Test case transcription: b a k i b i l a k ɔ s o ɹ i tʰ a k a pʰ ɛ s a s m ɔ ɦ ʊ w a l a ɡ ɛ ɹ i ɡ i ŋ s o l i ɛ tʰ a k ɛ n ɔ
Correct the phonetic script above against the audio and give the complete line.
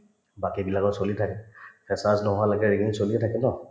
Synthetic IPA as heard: b a k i b i l a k ɔ s o l i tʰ a k ɛ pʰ ɛ s a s n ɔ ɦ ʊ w a l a ɡ ɛ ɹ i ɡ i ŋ s o l i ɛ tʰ a k ɛ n ɔ